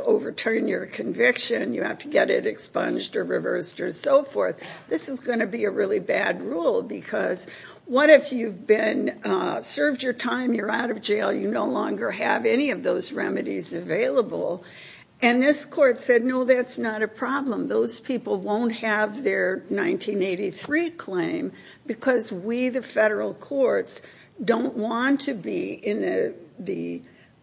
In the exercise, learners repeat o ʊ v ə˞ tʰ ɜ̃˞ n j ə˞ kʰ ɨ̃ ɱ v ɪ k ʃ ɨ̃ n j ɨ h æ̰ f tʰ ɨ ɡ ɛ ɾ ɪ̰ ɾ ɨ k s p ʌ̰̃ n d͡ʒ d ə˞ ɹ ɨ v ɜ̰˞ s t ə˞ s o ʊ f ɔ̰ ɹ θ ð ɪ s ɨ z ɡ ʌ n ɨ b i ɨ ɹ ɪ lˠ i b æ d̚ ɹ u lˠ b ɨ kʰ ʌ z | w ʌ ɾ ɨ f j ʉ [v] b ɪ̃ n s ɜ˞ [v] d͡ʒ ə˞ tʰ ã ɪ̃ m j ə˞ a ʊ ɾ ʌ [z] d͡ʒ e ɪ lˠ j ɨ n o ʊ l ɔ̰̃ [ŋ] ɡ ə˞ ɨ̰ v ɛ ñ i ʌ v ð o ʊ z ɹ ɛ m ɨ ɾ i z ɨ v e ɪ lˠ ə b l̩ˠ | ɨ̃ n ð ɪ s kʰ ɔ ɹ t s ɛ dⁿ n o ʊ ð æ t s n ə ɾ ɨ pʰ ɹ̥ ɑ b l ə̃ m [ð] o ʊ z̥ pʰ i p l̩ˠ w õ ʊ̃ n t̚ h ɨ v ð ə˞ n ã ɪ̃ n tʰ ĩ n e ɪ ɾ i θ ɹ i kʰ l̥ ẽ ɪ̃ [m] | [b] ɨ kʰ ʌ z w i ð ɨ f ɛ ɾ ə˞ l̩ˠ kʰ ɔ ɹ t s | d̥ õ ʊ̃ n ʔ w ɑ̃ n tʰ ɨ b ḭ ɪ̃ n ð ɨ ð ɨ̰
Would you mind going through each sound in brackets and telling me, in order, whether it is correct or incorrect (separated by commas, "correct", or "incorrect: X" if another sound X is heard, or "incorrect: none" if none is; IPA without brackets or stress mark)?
correct, correct, incorrect: v, correct, correct, correct, correct